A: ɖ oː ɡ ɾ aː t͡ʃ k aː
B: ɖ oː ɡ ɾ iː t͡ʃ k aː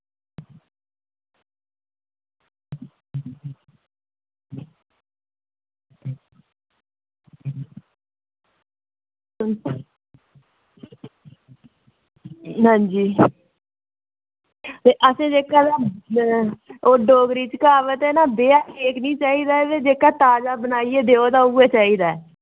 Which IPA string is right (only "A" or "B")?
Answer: B